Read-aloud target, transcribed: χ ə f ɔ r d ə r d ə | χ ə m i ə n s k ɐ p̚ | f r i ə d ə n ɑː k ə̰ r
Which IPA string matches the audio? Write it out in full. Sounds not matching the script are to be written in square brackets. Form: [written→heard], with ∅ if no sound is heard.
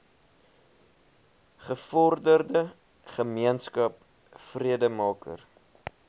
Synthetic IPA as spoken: χ ə f ɔ r d ə r d ə | χ ə m i ə n s k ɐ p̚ | f r i ə d ə [n→m] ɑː k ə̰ r